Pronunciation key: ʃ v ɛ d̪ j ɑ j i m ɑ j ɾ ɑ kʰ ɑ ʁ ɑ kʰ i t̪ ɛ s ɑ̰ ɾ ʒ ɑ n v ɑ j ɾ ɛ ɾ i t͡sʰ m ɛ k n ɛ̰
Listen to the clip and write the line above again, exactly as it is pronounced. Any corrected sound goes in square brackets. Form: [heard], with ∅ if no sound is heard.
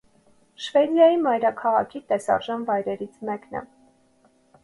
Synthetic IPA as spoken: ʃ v ɛ d̪ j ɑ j i m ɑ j ɾ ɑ kʰ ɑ ʁ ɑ kʰ i t̪ ɛ s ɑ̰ ɾ ʒ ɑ n v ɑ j ɾ ɛ ɾ i t͡sʰ m ɛ k n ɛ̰

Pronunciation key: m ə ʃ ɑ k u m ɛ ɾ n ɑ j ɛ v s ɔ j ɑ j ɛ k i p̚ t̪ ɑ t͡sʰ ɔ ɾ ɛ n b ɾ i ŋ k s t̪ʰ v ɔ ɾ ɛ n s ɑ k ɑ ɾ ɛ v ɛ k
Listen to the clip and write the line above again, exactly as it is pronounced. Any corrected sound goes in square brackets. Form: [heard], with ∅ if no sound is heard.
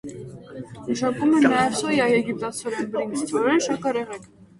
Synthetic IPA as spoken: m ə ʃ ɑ k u m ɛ [∅] n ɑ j ɛ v s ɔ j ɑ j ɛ [ɡ] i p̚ t̪ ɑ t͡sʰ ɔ ɾ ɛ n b ɾ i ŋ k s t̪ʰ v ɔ ɾ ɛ n [ʃ] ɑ k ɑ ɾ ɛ [ʁ] ɛ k

